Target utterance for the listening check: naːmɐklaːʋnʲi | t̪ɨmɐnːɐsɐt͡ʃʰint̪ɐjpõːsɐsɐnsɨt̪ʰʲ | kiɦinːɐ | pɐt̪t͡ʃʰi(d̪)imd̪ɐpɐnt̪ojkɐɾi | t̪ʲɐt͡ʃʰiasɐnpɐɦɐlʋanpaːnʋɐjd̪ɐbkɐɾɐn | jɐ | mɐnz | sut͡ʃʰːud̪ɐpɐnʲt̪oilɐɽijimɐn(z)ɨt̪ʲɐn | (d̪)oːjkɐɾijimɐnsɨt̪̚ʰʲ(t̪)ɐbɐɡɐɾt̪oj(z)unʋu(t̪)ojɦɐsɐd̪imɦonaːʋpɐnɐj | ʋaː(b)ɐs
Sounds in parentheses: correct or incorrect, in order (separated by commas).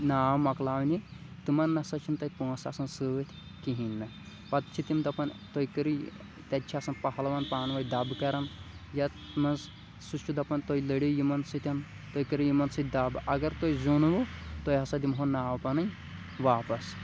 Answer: incorrect, incorrect, incorrect, incorrect, correct, correct, incorrect